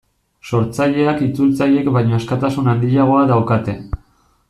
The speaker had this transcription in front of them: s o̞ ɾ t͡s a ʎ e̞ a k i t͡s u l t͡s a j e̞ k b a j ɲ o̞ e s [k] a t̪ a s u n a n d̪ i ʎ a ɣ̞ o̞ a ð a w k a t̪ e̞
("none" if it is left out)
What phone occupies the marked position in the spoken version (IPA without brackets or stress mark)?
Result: k